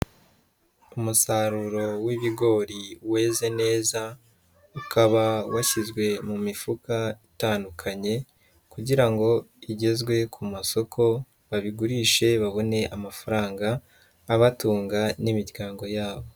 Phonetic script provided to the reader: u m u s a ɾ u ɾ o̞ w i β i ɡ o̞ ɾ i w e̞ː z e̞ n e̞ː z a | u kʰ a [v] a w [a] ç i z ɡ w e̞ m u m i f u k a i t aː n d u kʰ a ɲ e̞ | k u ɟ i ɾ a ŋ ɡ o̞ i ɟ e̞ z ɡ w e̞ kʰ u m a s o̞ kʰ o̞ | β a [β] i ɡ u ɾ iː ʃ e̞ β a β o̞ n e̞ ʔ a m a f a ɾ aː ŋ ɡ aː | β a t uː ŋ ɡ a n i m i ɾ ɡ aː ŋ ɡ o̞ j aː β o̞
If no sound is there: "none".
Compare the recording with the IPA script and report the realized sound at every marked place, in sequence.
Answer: β, a, β

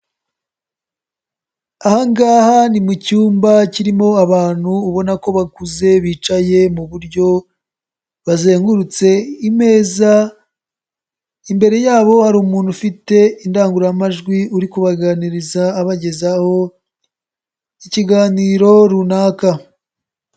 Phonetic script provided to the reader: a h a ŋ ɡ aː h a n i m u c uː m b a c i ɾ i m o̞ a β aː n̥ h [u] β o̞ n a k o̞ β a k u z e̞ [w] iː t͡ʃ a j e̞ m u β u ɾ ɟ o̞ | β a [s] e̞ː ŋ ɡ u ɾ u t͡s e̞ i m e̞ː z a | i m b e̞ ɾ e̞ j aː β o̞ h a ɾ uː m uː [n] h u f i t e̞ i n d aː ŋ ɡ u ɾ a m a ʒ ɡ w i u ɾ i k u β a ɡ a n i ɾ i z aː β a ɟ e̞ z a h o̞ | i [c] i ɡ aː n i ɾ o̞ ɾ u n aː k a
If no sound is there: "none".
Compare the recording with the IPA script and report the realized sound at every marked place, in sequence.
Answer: uː, β, z, n, c

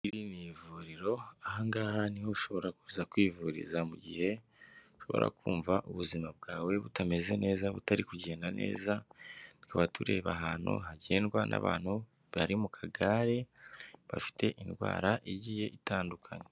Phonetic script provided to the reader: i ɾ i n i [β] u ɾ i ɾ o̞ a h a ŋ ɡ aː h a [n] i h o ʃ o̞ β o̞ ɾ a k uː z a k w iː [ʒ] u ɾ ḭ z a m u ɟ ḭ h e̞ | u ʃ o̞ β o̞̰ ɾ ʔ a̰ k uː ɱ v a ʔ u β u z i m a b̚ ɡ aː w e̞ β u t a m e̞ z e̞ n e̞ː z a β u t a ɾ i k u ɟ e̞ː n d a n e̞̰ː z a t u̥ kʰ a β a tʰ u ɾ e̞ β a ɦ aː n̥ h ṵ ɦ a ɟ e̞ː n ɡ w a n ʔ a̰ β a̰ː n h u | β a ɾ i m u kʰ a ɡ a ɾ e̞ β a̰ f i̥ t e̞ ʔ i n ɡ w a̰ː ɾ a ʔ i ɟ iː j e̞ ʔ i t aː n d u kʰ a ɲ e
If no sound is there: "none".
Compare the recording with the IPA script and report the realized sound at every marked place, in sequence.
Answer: v, n, v

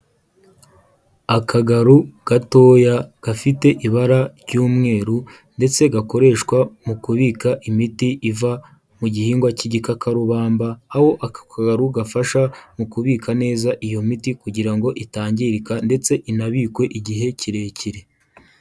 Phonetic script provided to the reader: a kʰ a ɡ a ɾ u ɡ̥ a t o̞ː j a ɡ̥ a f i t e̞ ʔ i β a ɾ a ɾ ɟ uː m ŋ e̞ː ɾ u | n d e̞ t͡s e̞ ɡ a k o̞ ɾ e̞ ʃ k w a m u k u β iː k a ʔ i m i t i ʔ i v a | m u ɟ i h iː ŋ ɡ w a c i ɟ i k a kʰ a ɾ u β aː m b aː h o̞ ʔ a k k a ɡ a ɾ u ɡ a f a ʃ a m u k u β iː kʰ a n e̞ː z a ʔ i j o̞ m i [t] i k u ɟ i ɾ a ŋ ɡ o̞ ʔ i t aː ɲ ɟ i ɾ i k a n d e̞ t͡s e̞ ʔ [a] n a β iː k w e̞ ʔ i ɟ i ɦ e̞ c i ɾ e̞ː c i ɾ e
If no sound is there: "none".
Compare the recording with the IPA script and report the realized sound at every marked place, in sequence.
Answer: t, i

